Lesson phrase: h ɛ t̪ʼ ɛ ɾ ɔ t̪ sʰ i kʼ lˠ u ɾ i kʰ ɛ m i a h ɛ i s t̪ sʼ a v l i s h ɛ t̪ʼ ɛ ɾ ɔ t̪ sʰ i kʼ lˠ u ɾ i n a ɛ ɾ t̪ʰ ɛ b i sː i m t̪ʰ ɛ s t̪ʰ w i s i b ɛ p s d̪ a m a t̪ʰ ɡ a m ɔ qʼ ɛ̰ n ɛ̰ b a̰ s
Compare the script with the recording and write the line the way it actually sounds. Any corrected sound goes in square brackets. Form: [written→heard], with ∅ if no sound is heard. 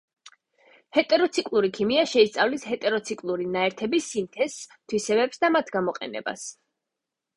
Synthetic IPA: h ɛ t̪ʼ ɛ ɾ ɔ t̪ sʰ i kʼ lˠ u ɾ i kʰ [ɛ→i] m i a [h→ʃ] ɛ i s t̪ sʼ a v l i s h ɛ t̪ʼ ɛ ɾ ɔ t̪ sʰ i kʼ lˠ u ɾ i n a ɛ ɾ t̪ʰ ɛ b i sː i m t̪ʰ ɛ s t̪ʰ w i s [i→ɛ] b ɛ p s d̪ a m a t̪ʰ ɡ a m ɔ qʼ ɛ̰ n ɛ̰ b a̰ s